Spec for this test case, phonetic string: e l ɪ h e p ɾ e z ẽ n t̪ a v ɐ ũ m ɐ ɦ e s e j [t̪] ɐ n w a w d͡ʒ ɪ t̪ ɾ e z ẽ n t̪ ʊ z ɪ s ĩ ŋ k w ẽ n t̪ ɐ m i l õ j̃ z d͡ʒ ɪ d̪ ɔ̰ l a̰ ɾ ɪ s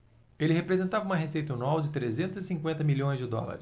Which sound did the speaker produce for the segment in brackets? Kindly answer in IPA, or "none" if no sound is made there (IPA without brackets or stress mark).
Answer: t̪